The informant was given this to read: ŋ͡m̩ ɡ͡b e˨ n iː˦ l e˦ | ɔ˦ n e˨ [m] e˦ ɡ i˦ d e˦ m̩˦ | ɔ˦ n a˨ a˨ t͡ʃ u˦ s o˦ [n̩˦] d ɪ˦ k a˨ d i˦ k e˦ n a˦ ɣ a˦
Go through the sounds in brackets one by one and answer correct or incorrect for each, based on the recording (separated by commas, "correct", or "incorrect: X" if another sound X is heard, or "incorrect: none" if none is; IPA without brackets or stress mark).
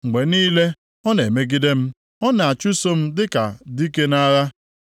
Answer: correct, incorrect: m̩˦